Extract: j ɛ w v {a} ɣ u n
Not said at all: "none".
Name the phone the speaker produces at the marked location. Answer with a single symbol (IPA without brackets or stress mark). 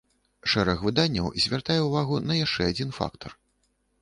a